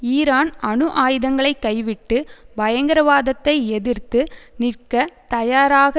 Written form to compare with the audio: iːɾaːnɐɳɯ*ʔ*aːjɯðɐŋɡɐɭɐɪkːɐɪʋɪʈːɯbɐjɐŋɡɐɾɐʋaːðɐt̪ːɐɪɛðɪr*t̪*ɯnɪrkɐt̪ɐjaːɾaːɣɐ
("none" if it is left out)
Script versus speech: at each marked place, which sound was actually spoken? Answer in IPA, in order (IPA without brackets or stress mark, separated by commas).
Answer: ʔ, t̪